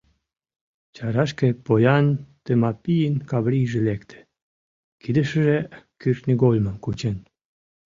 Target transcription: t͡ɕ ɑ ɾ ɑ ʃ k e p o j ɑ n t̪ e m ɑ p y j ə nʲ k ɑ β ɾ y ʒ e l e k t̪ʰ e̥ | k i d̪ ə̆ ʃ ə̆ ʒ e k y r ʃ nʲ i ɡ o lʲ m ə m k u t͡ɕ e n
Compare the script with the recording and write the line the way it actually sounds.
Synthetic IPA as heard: t͡ɕ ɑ ɾ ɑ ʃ k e p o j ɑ n t̪ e m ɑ p i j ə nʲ k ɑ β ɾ i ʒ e l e k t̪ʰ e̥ | k i d̪ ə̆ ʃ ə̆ ʒ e k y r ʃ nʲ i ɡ o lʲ m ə m k u t͡ɕ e n